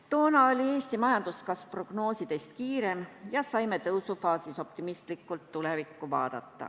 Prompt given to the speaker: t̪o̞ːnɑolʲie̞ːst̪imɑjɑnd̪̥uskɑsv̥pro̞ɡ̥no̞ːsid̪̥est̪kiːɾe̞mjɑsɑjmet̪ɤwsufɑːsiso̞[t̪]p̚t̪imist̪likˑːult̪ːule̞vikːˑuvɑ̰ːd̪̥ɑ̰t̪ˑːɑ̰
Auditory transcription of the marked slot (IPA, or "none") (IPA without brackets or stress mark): none